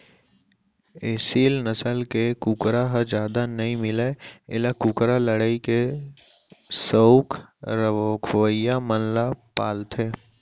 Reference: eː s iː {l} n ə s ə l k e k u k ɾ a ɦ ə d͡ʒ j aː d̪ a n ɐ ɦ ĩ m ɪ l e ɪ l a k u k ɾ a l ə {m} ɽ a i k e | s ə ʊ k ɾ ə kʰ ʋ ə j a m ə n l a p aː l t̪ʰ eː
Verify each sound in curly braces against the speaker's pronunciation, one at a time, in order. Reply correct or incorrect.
correct, incorrect

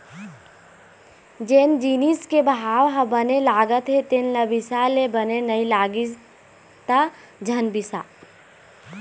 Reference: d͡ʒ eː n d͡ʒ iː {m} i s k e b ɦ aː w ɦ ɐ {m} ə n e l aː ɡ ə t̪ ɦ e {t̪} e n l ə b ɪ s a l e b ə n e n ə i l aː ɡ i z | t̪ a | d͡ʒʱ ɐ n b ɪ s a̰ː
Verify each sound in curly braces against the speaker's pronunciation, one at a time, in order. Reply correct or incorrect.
incorrect, incorrect, correct

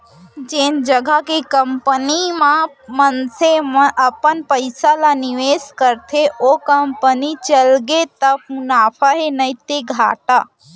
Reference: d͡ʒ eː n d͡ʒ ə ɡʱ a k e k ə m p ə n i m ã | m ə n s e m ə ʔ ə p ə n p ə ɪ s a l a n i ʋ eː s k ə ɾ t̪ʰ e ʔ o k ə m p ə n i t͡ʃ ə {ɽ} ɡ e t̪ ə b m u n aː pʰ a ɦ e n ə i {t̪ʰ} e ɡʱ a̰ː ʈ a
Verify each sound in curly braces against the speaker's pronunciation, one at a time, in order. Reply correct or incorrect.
incorrect, incorrect

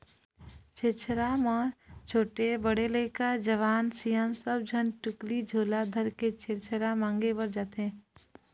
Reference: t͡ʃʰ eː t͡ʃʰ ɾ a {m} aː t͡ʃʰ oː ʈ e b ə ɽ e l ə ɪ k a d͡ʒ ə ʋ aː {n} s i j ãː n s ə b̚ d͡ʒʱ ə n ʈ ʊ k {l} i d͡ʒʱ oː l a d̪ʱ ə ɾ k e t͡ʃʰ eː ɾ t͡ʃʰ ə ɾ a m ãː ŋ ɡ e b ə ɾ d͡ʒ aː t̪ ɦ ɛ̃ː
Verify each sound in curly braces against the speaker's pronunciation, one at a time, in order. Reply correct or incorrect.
correct, correct, correct

